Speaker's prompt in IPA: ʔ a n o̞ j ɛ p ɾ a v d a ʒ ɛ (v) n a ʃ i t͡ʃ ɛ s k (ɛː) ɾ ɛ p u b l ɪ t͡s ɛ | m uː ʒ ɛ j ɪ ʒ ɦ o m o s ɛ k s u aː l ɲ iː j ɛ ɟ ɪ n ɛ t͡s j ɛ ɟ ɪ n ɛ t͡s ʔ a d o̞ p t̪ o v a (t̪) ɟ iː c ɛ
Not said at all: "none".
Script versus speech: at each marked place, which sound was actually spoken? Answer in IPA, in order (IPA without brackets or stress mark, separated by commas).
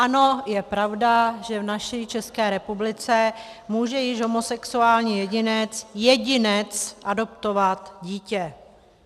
v, ɛː, t̪